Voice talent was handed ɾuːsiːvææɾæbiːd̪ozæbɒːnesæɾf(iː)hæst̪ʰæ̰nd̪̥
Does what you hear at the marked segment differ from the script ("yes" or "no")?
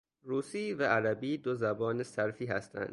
no